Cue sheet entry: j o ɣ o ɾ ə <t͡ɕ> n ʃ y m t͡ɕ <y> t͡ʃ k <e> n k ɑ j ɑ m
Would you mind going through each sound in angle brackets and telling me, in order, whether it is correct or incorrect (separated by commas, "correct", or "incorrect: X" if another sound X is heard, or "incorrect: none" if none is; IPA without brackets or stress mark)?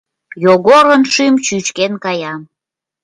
incorrect: none, correct, correct